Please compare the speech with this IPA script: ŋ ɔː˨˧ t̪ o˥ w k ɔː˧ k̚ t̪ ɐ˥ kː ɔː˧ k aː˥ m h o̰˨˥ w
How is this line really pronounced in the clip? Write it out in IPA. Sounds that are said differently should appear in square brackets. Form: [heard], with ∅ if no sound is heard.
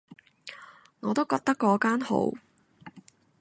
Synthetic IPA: ŋ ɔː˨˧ t̪ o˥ w k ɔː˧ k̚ t̪ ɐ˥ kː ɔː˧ k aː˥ [n] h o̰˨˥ w